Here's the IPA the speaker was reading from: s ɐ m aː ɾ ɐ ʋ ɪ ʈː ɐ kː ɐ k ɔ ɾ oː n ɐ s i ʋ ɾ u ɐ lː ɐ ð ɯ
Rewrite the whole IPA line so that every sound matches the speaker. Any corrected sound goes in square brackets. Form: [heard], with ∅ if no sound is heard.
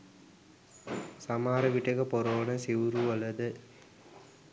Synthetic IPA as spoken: s ɐ m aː ɾ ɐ ʋ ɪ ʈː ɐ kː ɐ [p] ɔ ɾ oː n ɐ s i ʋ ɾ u ɐ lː ɐ ð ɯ